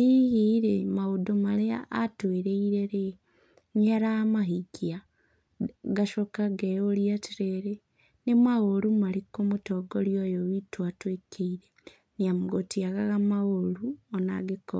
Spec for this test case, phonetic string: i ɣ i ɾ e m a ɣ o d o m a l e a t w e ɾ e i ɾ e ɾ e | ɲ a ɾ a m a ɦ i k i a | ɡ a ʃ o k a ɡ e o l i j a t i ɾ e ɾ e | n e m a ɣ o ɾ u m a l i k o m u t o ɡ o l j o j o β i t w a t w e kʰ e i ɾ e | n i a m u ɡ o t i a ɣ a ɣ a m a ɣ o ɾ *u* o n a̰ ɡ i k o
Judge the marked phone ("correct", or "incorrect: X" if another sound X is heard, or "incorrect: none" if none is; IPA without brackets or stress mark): correct